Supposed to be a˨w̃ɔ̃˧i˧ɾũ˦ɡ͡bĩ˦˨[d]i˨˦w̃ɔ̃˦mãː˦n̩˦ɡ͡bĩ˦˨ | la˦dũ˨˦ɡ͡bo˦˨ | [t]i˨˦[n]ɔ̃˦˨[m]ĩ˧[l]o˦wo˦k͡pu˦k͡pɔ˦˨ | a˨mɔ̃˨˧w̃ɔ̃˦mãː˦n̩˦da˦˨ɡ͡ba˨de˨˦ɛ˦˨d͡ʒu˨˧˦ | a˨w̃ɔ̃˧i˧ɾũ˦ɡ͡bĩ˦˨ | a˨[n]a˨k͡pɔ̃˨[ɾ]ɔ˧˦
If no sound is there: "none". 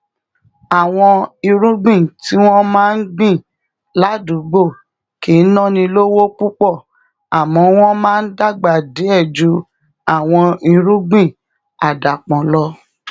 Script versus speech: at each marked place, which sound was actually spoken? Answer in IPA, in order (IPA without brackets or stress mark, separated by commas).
t, k, n, n, l, d, l